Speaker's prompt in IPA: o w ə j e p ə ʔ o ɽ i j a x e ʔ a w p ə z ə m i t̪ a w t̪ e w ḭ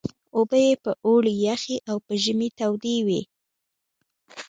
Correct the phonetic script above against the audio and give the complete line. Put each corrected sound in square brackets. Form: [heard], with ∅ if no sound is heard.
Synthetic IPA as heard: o [b] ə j e p ə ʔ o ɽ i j a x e ʔ a w p ə [ʒ] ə m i t̪ a w [d̪] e w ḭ

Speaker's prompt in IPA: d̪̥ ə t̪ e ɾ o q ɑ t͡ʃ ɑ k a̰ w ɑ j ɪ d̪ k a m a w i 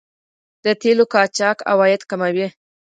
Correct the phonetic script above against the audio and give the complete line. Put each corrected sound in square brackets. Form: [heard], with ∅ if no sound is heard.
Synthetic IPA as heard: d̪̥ ə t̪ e [l] o [k] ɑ t͡ʃ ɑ k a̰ w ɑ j ɪ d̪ k a m a w i

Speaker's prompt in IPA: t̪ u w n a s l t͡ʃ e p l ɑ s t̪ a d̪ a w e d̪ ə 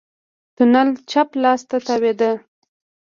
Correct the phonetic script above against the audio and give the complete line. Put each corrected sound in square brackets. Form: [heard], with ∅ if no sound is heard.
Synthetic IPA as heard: t̪ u [∅] n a [∅] l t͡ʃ [a] p l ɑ s t̪ a [t̪] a w e d̪ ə

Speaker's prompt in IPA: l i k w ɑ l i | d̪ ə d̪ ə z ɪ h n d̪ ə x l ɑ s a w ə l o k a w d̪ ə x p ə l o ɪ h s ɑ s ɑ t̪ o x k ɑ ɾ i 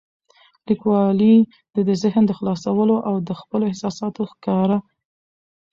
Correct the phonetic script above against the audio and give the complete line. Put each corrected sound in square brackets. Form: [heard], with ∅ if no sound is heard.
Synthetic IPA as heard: l i k w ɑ l i | d̪ ə d̪ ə z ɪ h n d̪ ə x l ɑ s a w ə l o [ʔ] a w d̪ ə x p ə l o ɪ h s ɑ s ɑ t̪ o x k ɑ ɾ [a]

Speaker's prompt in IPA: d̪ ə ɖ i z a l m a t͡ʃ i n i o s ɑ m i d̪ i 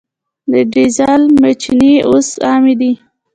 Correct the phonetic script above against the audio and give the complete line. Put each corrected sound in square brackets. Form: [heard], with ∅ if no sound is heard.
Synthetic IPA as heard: d̪ ə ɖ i z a l m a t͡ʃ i n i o s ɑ m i d̪ i

